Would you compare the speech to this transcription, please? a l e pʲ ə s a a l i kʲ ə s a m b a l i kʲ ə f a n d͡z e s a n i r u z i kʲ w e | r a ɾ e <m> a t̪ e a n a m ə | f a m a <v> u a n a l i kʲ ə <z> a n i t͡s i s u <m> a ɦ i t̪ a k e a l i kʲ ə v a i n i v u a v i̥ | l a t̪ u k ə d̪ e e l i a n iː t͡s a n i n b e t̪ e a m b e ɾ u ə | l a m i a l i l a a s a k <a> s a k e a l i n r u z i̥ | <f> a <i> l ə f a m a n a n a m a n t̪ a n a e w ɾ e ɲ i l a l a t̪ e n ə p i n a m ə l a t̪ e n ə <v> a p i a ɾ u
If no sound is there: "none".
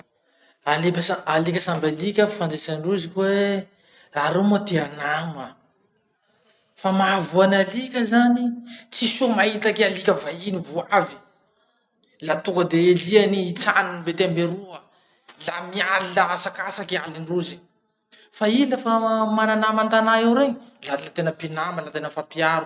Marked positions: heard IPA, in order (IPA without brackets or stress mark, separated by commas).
m, v, z, m, a, f, i, f